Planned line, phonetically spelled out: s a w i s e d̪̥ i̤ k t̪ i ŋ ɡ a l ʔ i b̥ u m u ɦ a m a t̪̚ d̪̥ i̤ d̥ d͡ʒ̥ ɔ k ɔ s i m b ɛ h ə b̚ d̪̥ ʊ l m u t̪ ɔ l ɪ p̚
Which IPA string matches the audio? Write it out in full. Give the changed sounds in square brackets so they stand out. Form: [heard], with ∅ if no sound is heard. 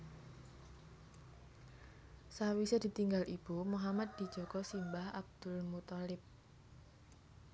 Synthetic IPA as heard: s a w i s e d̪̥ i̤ [∅] t̪ i ŋ ɡ a l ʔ i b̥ u m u ɦ a m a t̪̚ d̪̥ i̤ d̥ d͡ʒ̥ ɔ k ɔ s i m b [a] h [a] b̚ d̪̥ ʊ l m u t̪ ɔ l ɪ p̚